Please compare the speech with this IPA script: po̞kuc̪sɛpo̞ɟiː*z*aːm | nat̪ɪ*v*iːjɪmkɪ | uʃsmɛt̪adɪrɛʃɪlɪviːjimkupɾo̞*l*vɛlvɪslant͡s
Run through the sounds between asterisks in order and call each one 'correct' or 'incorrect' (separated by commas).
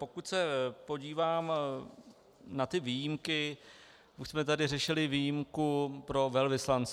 incorrect, correct, incorrect